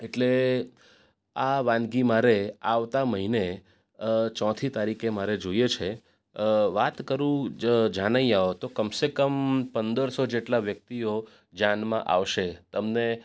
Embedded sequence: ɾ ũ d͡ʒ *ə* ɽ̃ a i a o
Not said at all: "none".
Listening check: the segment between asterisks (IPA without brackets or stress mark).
a